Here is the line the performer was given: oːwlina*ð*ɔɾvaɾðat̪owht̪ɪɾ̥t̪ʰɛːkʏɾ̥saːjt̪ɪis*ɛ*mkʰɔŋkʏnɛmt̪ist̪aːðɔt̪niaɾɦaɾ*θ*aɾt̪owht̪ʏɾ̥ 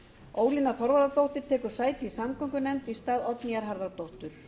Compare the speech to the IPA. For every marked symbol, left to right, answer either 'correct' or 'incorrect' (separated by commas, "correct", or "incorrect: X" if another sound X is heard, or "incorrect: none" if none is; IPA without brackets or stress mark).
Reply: incorrect: θ, incorrect: a, incorrect: ð